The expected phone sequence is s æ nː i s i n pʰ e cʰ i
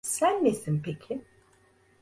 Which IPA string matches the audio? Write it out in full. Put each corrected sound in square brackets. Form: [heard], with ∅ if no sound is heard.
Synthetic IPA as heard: s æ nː [e] s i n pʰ e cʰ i